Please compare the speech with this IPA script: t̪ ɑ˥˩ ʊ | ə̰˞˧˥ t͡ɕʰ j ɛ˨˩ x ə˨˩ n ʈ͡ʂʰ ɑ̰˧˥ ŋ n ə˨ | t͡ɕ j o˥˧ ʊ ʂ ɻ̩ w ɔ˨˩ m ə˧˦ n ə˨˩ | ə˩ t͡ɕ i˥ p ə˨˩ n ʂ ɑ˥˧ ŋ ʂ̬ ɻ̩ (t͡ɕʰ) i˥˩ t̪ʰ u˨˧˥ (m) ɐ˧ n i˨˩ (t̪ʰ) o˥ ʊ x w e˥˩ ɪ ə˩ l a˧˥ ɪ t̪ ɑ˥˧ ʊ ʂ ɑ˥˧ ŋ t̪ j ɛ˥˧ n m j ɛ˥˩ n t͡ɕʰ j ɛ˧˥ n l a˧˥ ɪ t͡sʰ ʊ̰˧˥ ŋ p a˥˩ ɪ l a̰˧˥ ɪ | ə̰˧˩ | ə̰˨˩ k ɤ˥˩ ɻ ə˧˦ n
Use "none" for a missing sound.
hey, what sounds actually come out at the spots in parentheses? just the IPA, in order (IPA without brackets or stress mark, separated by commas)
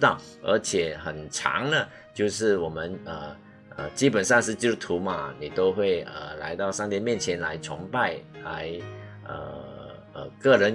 t͡ɕ, m, t̪